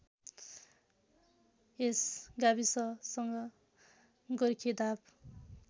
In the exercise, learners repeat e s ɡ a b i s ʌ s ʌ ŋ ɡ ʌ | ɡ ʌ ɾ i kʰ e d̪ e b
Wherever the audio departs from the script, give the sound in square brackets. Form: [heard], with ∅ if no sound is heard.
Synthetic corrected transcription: e s ɡ a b i s ʌ s ʌ ŋ ɡ ʌ | ɡ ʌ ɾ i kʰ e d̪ [a] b